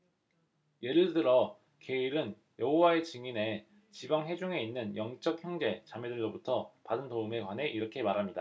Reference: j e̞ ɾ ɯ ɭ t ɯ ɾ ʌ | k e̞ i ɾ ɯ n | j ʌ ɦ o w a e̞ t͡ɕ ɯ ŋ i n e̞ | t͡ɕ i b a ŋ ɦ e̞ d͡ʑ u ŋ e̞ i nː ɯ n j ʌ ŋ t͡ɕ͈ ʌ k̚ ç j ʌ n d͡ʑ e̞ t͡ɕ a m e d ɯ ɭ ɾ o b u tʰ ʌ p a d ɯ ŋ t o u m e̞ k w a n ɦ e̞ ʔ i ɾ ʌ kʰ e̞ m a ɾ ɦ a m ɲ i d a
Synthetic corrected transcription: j e̞ ɾ ɯ ɭ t ɯ ɾ ʌ | k e̞ i ɾ ɯ n | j ʌ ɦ o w a e̞ t͡ɕ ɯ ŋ i n e̞ | t͡ɕ i b a ŋ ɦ e̞ d͡ʑ u ŋ e̞ i nː ɯ n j ʌ ŋ t͡ɕ͈ ʌ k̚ ç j ʌ ŋ d͡ʑ e̞ t͡ɕ a m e d ɯ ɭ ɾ o b u tʰ ʌ p a d ɯ n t o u m e̞ k w a n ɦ e̞ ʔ i ɾ ʌ kʰ e̞ m a ɾ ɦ a m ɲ i d a